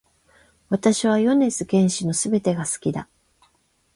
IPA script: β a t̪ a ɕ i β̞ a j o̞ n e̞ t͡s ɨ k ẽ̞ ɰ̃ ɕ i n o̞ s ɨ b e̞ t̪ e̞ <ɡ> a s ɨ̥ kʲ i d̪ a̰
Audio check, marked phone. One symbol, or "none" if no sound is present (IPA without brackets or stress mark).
ɡ